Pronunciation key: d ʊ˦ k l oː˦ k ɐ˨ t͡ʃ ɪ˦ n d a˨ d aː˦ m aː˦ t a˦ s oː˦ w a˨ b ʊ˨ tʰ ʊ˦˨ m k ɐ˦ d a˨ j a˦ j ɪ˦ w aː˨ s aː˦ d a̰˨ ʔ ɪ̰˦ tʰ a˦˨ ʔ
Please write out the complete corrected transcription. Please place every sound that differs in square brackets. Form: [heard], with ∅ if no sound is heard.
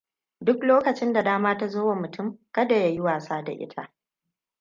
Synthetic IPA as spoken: d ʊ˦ k l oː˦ k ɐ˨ t͡ʃ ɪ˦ n d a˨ d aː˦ m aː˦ t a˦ [z] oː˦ w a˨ [m] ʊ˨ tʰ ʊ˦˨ m k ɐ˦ d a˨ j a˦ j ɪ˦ w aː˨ s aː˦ d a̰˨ ʔ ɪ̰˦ tʰ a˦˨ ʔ